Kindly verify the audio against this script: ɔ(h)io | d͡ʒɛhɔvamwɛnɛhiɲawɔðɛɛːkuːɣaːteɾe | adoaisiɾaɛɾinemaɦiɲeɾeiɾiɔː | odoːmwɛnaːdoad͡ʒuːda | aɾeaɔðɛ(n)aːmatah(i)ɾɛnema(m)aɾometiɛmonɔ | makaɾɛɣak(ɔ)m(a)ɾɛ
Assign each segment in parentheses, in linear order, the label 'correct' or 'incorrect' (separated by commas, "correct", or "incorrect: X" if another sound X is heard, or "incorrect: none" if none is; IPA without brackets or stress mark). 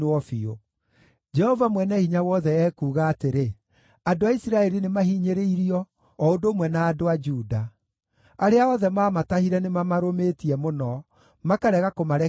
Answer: incorrect: f, incorrect: m, correct, correct, incorrect: o, correct